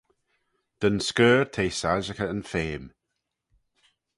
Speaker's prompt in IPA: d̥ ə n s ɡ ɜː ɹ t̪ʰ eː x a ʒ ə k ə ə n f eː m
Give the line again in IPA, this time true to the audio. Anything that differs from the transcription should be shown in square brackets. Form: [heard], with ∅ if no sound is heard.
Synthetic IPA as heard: d̥ ə n s [k] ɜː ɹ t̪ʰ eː [s] a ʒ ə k ə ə n f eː m